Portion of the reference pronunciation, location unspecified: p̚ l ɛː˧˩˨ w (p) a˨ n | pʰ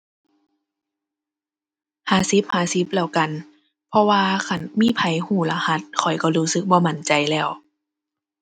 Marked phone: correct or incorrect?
incorrect